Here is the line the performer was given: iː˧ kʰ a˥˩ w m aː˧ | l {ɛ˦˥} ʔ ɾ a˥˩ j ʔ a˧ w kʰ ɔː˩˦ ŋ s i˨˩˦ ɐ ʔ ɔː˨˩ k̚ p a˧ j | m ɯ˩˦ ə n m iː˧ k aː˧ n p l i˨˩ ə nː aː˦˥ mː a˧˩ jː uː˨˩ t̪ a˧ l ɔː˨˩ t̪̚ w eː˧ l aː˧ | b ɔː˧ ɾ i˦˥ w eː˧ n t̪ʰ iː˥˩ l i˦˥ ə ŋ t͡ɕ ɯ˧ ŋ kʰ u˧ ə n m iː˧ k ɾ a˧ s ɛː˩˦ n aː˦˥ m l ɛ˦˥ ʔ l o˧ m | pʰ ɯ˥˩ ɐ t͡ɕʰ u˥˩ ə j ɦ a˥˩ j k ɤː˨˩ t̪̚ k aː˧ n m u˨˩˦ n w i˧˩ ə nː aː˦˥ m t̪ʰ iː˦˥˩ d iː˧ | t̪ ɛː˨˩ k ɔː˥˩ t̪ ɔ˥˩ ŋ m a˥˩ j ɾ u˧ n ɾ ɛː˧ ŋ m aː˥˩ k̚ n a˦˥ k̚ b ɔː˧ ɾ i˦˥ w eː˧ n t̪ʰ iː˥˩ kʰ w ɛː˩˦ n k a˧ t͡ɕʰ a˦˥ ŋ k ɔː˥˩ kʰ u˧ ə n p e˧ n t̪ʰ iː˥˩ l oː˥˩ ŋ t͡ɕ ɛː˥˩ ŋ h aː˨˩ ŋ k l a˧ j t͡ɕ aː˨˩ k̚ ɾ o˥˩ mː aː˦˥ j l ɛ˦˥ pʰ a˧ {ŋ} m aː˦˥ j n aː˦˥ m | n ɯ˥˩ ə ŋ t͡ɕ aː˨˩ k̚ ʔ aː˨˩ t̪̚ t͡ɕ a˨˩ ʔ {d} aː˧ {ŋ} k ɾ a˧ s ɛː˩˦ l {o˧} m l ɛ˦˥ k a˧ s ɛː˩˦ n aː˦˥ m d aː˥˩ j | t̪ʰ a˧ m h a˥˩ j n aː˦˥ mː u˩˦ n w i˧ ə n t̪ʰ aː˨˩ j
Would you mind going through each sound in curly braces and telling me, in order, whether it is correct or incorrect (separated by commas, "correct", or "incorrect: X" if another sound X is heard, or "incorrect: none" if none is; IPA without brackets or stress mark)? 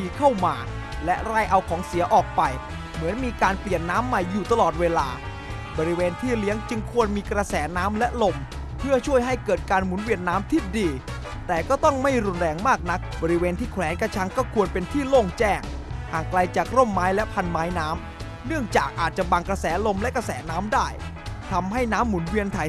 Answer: correct, incorrect: n, incorrect: b, correct, correct